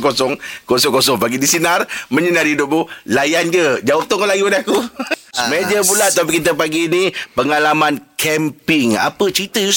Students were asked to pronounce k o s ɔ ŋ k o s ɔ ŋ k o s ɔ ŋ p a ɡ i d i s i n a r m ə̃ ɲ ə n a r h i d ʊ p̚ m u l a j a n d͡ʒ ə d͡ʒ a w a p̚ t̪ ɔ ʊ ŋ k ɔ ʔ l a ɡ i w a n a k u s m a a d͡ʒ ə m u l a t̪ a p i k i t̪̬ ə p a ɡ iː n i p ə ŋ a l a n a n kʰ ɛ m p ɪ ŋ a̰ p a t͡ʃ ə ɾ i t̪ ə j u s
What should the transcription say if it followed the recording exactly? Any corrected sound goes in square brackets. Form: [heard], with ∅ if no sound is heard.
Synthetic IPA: k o s ɔ ŋ k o s ɔ ŋ k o s ɔ ŋ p a ɡ i d i s i n a r m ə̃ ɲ ə n a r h i d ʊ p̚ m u l a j a n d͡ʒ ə d͡ʒ a w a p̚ t̪ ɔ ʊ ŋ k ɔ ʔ l a ɡ i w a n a k u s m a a d͡ʒ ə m u l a t̪ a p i k i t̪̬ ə p a ɡ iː n i p ə ŋ a l a [m] a n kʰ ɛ m p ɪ ŋ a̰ p [ə] t͡ʃ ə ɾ i t̪ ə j u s